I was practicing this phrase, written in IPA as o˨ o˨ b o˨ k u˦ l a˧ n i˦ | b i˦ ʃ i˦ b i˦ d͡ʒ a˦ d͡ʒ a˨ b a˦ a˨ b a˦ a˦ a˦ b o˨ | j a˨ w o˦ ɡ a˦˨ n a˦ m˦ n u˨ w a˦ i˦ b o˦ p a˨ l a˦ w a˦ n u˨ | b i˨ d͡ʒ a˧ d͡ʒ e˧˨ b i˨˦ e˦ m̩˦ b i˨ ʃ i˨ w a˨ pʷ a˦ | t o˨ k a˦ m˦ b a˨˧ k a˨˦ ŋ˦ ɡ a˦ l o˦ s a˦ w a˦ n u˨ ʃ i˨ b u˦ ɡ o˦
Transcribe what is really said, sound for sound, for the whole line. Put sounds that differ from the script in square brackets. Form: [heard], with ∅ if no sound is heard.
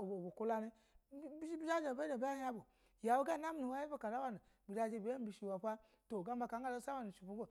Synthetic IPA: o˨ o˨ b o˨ k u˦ l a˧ n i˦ | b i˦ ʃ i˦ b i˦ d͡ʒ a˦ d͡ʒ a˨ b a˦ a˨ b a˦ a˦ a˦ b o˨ | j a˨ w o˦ ɡ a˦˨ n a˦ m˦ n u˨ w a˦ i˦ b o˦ [k] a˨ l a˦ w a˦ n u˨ | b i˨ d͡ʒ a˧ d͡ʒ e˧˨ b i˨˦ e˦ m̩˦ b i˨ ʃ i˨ w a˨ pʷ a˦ | t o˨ [ɡ] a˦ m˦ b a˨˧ k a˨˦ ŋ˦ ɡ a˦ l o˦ s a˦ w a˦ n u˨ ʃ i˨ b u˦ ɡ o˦